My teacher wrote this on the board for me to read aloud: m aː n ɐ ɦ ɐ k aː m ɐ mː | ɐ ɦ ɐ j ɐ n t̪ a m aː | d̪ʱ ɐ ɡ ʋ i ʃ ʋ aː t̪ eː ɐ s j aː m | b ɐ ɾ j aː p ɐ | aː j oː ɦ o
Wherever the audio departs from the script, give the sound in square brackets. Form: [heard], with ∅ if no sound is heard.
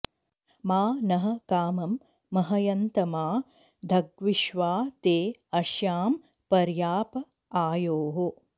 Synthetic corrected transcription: m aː n ɐ ɦ ɐ k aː m ɐ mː | ɐ ɦ ɐ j ɐ n t̪ [ɐ] m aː | d̪ʱ ɐ ɡ ʋ i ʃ ʋ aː t̪ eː ɐ [ʃ] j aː m | [p] ɐ ɾ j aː p ɐ | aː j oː ɦ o